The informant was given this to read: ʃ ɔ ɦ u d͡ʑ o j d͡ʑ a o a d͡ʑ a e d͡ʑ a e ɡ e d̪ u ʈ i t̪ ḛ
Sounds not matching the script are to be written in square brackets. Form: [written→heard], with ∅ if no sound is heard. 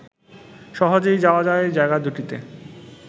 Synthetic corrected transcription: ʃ ɔ ɦ [u→o] d͡ʑ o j d͡ʑ a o a d͡ʑ a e d͡ʑ a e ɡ [e→a] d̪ u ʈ i t̪ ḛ

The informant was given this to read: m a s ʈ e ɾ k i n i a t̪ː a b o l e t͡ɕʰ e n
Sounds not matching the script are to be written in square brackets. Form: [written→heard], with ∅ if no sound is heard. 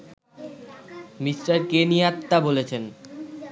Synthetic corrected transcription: m [a→i] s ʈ [e→a] ɾ k [i→e] n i a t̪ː a b o l e t͡ɕʰ e n

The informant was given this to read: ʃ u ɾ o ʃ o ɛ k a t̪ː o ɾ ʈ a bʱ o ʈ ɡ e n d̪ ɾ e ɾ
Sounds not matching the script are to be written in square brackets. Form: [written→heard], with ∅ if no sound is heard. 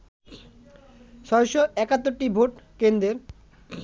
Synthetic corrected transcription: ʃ [u→ɔ] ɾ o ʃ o ɛ k a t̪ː o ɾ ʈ [a→i] bʱ o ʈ [ɡ→k] e n d̪ ɾ e ɾ

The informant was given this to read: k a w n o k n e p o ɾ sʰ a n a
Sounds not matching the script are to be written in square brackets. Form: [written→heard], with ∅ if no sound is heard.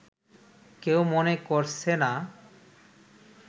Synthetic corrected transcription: k [a→e] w [n→m] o [k→∅] n e [p→k] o ɾ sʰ [a→e] n a

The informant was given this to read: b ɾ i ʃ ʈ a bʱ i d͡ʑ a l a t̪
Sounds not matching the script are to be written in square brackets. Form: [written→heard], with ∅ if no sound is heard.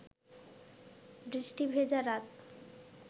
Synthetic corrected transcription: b ɾ i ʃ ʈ [a→i] bʱ [i→e] d͡ʑ a [l→ɾ] a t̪

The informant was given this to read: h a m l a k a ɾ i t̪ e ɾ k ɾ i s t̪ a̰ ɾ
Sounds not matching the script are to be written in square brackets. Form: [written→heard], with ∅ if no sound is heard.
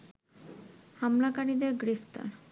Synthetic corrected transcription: h a m l a k a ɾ i [t̪→d̪] e ɾ [k→ɡ] ɾ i [s→f] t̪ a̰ ɾ

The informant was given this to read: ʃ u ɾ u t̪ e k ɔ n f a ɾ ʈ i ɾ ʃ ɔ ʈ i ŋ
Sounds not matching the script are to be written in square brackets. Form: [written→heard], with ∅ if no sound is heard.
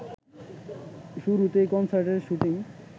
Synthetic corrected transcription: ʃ u ɾ u t̪ e k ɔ n [f→s] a ɾ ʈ [i→e] ɾ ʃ [ɔ→u] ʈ i ŋ

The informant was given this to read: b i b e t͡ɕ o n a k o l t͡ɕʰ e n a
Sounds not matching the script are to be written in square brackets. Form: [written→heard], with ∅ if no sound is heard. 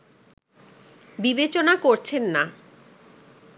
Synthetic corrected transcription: b i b e t͡ɕ o n a k o [l→ɾ] t͡ɕʰ e [n→nː] a

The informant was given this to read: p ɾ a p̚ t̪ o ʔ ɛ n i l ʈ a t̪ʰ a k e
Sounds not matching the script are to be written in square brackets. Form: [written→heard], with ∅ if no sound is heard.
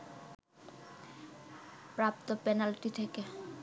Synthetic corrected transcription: p ɾ a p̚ t̪ o [ʔ→p] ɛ n [i→a] l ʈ [a→i] t̪ʰ [a→e] k e

